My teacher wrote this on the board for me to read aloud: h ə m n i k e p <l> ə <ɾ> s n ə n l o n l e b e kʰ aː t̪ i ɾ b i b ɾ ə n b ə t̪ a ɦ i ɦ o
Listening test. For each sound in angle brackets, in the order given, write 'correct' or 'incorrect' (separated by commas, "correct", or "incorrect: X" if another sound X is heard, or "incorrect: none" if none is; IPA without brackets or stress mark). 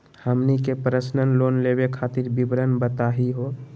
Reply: incorrect: ɾ, incorrect: none